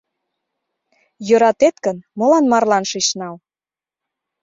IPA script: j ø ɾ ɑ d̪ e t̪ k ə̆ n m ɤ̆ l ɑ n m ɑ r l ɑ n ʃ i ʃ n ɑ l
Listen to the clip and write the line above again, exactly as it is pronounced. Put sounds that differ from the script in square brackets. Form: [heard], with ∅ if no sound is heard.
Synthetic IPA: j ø ɾ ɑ [t̪] e t̪ k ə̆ n m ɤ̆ l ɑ n m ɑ r l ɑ n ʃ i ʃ n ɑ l

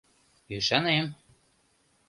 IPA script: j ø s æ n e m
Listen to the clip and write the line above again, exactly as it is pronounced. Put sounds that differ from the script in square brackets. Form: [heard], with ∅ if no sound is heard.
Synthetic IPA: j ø [ʃ] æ n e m

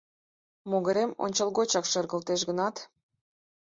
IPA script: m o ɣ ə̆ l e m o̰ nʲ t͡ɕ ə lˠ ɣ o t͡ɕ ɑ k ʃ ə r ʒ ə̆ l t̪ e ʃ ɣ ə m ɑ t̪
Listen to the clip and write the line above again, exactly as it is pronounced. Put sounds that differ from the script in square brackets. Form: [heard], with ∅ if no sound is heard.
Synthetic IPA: m o ɣ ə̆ [ɾ] e m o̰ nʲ t͡ɕ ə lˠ ɣ o t͡ɕ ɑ k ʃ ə r [ɣ] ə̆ l t̪ e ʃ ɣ ə [n] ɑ t̪

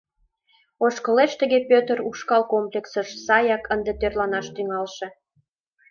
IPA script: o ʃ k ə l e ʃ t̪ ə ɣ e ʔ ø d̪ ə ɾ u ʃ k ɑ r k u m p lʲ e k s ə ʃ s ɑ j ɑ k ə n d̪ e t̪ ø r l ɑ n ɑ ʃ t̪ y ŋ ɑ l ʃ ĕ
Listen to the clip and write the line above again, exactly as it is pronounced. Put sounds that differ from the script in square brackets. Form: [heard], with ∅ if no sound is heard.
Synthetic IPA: o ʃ k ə l e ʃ t̪ ə ɣ e [p] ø [t̪] ə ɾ u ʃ k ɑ [l] k [o] m p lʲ e k s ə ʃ s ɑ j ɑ k ə n d̪ e t̪ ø r l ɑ n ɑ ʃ t̪ y ŋ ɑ l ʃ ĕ

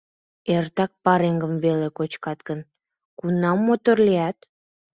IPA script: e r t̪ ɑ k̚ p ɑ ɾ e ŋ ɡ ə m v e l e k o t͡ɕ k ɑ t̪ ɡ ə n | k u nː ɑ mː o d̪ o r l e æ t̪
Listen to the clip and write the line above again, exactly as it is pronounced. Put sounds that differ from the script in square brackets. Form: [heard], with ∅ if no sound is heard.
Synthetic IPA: e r t̪ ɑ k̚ p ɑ ɾ e ŋ ɡ ə m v e l e k o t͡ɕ k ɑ t̪ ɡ ə n | k u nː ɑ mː o [t̪] o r l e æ t̪

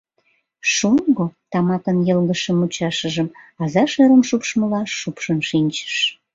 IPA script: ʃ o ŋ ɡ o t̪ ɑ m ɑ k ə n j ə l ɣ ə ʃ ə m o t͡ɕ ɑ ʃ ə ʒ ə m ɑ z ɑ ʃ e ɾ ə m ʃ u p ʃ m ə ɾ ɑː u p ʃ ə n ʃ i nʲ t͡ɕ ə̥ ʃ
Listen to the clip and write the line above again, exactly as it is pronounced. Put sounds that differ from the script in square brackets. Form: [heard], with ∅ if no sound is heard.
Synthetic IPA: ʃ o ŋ ɡ o t̪ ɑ m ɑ k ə n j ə l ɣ ə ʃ ə m [u] t͡ɕ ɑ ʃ ə ʒ ə m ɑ z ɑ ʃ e ɾ ə m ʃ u p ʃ m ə [l] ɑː u p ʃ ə n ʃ i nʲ t͡ɕ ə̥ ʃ

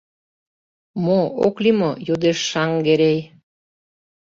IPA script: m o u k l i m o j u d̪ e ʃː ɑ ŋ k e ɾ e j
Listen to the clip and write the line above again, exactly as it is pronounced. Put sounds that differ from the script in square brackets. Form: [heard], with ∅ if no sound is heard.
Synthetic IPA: m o [o] k l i m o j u d̪ e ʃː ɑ ŋ [ɡ] e ɾ e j

